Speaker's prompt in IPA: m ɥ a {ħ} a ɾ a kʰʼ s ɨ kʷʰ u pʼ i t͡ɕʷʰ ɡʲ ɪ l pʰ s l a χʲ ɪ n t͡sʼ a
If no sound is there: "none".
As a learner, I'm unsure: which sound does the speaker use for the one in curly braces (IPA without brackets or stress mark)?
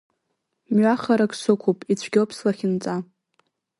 χ